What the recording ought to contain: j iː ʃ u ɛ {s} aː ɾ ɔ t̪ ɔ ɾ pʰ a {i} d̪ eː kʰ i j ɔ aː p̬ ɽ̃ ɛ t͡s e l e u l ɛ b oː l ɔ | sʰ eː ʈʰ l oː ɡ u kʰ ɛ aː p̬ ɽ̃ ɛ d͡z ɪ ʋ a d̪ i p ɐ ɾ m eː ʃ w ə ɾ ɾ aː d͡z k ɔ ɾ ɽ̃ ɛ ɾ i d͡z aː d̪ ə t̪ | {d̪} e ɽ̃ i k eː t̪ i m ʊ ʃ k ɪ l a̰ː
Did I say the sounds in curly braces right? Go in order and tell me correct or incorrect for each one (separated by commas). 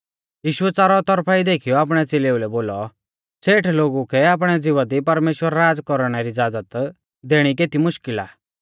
incorrect, correct, correct